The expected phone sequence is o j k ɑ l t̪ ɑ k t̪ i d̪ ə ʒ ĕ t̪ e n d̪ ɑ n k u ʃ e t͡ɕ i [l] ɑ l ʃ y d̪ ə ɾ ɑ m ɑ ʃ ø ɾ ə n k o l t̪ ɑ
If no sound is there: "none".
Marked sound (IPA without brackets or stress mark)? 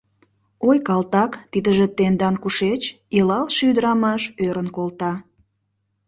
l